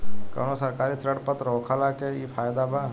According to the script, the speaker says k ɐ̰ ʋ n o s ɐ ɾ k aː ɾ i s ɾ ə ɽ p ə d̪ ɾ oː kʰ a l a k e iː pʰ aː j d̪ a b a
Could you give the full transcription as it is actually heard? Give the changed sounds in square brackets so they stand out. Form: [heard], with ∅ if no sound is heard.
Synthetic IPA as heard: k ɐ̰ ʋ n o s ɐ ɾ k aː ɾ i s ɾ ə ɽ p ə [t̪] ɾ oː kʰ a l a k e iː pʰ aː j d̪ a b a